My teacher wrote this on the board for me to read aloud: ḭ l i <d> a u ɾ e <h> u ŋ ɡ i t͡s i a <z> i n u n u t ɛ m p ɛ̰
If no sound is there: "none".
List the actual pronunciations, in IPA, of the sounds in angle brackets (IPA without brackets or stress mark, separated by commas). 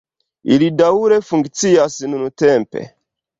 d, f, s